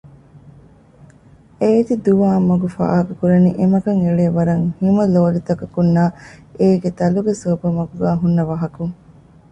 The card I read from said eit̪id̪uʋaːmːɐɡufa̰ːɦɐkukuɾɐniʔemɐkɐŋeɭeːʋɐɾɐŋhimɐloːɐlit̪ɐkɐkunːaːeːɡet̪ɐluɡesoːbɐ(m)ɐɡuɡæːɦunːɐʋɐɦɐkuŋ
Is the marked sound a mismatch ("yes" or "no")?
no